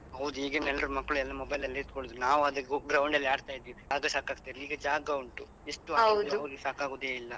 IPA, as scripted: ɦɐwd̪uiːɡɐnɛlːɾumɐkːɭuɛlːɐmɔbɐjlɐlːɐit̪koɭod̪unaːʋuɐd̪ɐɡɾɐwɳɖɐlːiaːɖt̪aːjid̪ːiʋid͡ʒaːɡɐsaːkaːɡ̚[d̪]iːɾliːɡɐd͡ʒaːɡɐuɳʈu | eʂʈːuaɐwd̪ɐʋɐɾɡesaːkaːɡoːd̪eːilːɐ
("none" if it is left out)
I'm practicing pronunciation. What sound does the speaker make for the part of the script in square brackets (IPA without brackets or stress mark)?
t̪